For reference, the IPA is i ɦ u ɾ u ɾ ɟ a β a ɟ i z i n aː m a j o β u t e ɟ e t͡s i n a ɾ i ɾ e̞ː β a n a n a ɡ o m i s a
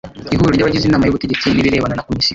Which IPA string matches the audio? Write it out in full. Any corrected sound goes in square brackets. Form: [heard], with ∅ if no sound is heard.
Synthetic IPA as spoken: i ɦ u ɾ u ɾ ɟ a β a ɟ i z i n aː m a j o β u t e ɟ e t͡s i n [i] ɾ i ɾ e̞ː β a n a n a [k] o m i s [i]